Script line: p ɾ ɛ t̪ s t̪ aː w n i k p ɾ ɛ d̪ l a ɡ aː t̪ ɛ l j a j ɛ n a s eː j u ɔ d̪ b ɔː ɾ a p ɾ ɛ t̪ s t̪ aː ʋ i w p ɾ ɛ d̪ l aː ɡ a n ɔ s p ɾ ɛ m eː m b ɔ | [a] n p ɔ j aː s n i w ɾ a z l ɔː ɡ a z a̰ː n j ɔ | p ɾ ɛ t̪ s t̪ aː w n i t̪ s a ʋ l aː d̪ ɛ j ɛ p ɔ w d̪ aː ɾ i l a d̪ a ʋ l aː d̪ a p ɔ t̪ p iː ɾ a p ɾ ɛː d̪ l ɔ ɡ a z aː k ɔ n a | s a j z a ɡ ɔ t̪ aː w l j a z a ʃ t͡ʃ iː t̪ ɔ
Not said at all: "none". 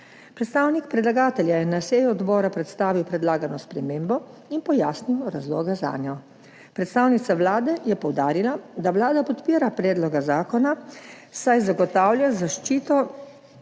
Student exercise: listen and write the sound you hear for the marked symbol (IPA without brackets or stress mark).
i